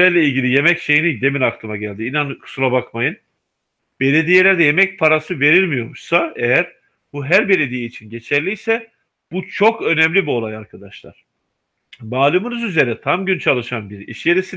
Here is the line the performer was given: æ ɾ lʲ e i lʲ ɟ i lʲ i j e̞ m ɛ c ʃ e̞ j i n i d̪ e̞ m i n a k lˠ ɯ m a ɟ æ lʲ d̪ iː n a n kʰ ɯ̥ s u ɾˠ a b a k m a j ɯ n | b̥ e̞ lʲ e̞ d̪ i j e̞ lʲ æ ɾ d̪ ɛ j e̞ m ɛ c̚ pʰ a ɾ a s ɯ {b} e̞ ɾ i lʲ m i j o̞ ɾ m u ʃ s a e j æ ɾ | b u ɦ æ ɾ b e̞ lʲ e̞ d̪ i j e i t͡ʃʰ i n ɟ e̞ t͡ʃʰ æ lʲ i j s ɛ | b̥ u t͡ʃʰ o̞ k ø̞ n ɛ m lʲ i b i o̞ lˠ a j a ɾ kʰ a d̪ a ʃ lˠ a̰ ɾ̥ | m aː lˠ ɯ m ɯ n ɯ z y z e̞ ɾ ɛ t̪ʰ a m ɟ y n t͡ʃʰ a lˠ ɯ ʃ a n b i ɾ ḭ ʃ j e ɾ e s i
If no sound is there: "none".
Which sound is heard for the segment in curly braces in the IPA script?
v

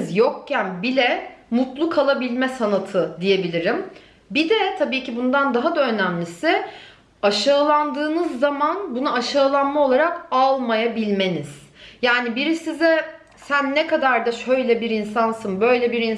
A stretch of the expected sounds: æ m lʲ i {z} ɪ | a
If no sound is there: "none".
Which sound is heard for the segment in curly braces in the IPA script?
s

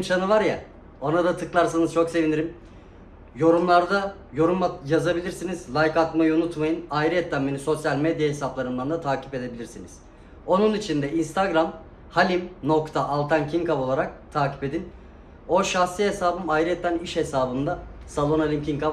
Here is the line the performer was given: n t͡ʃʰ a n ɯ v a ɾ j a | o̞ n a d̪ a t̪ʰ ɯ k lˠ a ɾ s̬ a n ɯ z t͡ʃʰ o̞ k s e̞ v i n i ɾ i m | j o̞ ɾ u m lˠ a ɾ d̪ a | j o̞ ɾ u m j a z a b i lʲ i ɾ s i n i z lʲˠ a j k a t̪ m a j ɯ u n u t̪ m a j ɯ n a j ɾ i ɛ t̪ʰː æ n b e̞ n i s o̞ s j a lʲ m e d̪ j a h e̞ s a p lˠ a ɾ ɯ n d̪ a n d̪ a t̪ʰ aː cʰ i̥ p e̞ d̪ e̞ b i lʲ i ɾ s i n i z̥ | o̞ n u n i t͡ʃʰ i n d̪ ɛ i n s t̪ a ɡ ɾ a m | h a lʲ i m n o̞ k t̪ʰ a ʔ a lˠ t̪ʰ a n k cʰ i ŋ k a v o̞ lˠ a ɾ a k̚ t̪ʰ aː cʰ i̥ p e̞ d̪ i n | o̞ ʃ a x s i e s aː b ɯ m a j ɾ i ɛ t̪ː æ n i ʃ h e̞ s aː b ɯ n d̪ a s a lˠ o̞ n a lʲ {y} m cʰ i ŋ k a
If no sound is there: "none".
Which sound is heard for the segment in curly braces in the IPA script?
i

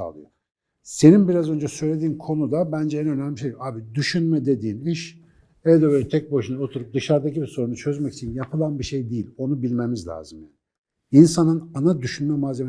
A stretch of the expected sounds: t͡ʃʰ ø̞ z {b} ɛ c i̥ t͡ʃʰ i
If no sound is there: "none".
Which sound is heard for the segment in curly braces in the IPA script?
m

